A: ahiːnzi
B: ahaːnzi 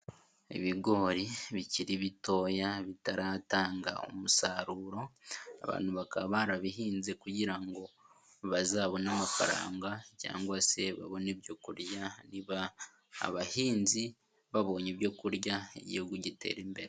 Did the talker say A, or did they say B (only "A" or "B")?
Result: A